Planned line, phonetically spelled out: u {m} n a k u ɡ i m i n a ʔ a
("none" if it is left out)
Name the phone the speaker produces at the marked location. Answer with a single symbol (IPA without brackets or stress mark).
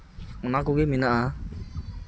none